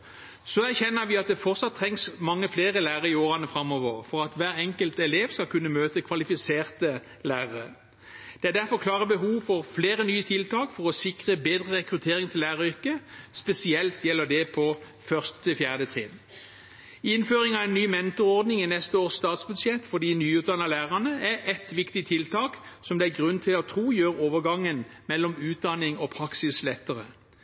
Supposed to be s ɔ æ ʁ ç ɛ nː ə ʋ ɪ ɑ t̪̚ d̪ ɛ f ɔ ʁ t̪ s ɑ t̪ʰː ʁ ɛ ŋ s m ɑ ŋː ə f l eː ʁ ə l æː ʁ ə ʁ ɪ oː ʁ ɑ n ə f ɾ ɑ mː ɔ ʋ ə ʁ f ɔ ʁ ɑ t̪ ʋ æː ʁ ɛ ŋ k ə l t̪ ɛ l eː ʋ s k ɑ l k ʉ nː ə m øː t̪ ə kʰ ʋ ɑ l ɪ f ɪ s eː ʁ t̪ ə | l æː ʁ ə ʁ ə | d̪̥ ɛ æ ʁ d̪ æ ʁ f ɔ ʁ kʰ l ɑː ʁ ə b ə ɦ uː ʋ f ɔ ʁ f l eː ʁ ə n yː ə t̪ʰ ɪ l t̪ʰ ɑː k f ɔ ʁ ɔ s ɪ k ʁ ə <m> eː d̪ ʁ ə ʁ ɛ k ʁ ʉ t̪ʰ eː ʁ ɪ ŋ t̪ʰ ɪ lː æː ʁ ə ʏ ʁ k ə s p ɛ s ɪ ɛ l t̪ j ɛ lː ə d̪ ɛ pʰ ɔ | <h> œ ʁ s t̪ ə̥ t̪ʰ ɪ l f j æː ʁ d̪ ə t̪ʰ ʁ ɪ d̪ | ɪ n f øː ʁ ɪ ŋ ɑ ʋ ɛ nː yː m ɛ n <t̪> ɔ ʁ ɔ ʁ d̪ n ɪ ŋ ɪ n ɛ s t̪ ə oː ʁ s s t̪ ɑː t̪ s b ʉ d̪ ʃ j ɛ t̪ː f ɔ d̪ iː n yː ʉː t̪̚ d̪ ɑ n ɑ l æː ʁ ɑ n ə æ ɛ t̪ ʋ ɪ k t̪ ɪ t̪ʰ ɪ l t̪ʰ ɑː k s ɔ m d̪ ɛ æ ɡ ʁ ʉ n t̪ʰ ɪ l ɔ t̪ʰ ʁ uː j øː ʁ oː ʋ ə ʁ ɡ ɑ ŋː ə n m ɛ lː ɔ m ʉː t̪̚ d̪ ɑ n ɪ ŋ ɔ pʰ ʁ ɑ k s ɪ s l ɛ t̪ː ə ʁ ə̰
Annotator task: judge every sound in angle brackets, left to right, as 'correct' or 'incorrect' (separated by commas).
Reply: incorrect, incorrect, correct